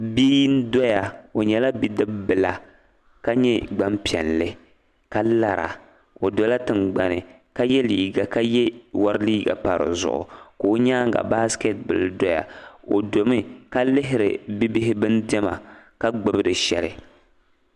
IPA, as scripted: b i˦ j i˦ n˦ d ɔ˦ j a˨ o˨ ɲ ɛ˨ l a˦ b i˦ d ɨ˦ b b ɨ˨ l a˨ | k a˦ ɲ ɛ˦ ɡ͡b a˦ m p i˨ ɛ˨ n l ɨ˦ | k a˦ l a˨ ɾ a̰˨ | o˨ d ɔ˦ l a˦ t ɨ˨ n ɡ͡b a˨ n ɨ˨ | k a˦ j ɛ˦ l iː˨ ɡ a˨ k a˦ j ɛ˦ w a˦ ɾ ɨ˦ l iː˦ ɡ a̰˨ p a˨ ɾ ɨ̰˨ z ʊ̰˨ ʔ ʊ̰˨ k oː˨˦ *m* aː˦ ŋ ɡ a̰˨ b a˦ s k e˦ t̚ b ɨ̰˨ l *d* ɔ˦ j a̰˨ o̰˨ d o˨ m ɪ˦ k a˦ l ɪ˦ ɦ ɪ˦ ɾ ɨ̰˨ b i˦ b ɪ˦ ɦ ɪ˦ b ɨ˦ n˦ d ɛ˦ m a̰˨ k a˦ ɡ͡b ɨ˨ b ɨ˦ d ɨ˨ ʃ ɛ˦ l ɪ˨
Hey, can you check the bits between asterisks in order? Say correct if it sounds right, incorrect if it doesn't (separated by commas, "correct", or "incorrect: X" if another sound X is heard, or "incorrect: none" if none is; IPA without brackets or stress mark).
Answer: incorrect: ɲ, correct